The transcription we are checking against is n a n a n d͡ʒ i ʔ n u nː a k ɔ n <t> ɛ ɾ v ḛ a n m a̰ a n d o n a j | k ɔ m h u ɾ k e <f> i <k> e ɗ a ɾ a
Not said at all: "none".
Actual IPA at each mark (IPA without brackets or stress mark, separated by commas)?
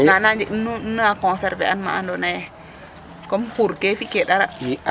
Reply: s, f, k